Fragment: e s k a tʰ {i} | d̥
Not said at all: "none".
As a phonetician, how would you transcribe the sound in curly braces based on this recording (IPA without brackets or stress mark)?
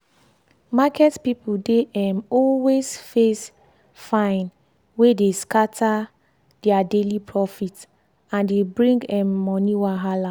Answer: a